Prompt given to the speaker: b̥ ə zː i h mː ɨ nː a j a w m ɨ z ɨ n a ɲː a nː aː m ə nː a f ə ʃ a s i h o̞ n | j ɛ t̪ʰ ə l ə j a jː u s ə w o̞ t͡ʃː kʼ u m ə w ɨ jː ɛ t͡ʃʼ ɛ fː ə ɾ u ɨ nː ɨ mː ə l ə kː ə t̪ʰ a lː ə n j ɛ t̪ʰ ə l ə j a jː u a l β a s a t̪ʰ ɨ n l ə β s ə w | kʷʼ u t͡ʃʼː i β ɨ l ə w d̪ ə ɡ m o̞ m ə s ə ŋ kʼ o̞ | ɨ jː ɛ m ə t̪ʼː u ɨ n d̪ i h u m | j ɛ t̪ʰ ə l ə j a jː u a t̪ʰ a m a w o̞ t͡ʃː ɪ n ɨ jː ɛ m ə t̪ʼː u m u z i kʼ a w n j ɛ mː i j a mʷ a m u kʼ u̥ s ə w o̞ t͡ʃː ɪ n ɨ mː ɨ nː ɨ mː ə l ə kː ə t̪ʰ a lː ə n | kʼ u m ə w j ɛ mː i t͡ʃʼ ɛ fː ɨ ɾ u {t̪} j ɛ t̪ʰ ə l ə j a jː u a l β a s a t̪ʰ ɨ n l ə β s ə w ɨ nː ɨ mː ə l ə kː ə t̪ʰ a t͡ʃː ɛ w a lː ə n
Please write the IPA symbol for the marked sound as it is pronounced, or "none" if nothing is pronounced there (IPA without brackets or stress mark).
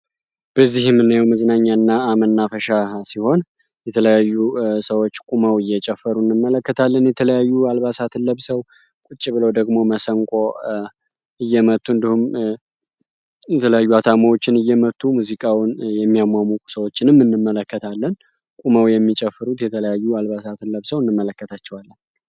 t̪